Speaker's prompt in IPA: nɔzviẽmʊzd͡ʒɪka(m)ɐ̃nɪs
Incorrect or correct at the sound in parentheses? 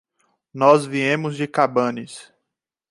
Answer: incorrect: b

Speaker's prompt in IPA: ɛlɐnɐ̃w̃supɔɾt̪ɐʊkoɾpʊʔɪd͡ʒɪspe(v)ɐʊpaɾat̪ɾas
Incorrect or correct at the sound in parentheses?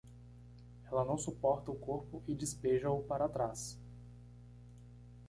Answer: incorrect: ʒ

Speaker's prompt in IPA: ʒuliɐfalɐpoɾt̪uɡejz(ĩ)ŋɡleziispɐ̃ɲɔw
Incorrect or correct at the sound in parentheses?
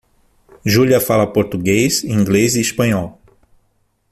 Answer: correct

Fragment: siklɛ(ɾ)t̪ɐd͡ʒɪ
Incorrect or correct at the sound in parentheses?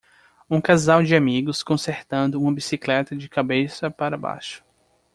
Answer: incorrect: none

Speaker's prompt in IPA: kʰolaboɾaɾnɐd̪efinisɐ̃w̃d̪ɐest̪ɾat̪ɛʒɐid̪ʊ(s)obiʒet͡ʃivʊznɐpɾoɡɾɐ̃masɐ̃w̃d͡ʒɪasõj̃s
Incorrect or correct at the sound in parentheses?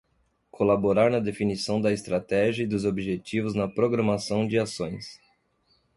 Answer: incorrect: z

